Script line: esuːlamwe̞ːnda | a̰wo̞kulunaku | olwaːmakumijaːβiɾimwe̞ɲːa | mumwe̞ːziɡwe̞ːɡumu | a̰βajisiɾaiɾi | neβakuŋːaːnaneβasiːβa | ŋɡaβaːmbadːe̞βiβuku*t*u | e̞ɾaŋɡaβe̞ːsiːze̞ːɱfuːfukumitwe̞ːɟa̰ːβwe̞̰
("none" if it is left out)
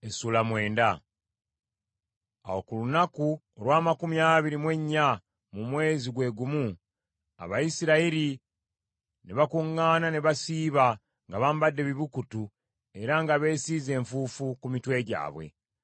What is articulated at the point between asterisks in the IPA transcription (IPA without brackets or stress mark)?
t